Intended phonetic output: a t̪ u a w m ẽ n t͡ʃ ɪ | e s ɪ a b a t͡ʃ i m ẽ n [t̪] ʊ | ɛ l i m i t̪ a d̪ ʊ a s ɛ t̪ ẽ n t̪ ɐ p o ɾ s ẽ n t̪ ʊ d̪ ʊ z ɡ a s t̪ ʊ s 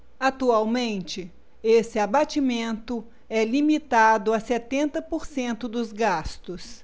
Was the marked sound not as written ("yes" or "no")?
no